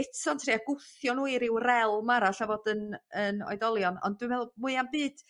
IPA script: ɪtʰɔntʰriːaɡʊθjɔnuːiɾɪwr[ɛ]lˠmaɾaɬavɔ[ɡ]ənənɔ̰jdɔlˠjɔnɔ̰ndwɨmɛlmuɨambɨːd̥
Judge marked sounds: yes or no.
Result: yes, no

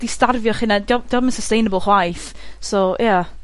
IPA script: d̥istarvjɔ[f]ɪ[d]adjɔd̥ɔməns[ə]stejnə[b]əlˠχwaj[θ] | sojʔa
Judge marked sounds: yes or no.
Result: no, no, yes, yes, yes

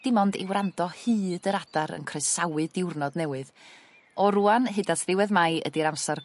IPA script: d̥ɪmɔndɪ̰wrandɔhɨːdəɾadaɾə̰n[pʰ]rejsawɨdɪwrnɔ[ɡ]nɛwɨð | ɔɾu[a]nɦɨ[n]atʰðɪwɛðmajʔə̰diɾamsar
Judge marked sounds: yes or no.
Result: no, no, yes, no

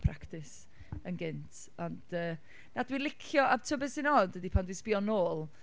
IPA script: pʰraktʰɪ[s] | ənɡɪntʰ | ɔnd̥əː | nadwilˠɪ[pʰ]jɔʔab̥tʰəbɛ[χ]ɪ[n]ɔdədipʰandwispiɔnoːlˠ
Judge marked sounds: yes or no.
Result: yes, no, no, yes

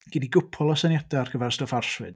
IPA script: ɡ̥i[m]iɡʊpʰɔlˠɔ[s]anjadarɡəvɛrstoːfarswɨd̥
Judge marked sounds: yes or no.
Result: no, yes

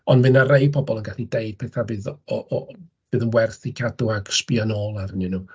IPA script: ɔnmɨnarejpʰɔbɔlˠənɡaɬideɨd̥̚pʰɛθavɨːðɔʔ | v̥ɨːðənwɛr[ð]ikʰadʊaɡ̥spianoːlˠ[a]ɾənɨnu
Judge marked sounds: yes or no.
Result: no, yes

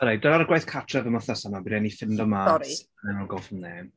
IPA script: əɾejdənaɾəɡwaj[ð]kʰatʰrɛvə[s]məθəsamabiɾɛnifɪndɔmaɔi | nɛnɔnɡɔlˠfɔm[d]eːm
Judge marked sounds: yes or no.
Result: no, no, no

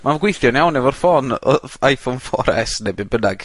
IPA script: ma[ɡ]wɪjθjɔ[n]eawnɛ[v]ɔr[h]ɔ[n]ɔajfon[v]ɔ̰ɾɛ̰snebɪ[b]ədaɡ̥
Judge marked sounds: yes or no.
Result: yes, yes, yes, no, yes, no, yes

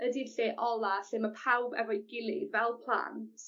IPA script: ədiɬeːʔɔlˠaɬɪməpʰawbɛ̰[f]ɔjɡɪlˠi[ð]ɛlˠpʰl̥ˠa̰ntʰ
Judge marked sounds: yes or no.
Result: no, no

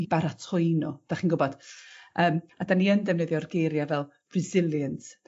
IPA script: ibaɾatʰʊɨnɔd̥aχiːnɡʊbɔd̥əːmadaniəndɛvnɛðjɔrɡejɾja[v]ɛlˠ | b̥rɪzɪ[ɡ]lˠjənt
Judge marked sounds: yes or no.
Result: yes, no

